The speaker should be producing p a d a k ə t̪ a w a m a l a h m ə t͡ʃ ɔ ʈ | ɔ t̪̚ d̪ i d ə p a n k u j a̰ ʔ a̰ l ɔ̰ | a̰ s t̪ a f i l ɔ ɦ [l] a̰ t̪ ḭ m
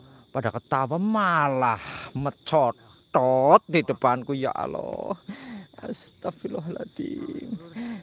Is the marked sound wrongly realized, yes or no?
no